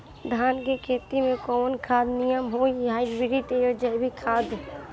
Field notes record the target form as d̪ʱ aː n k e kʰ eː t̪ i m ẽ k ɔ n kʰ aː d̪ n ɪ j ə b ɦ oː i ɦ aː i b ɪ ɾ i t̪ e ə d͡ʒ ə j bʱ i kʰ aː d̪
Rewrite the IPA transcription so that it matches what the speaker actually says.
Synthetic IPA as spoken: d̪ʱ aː n k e kʰ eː t̪ i m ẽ k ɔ n kʰ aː d̪ n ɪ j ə m ɦ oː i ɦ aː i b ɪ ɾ i t̪ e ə d͡ʒ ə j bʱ i kʰ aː d̪